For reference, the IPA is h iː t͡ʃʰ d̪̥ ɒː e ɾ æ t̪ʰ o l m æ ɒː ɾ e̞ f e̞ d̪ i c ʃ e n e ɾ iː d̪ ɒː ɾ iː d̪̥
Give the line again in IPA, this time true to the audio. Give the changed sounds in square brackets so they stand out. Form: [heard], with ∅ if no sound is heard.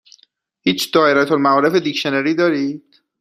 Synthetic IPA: h iː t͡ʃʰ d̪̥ ɒː e ɾ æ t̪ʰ o l m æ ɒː ɾ e̞ f e̞ d̪ i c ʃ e n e ɾ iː d̪ ɒː ɾ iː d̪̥